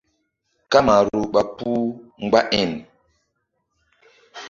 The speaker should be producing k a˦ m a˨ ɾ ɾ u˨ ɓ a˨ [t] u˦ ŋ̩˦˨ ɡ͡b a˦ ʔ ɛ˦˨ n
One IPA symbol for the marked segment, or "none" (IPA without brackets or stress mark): p